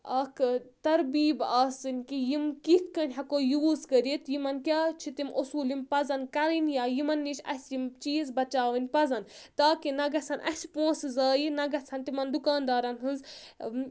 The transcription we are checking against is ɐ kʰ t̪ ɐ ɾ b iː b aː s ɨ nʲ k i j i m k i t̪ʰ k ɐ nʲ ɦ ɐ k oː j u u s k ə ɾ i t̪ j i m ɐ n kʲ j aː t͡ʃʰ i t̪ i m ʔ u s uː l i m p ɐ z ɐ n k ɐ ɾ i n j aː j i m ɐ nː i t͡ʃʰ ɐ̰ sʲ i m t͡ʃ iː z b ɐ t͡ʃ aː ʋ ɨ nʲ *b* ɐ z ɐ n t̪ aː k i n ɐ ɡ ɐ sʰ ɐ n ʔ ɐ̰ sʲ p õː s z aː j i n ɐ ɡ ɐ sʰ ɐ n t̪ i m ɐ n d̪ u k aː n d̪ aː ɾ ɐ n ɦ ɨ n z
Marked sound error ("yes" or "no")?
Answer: yes